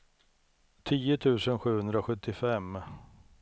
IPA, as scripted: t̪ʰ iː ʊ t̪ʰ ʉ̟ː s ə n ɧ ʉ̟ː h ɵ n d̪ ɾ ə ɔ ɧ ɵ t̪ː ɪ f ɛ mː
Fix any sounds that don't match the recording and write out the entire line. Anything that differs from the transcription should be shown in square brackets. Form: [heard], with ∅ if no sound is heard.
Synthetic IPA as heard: t̪ʰ iː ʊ t̪ʰ ʉ̟ː s ə n ɧ ʉ̟ː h ɵ n d̪ ɾ [a] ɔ ɧ ɵ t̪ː ɪ f ɛ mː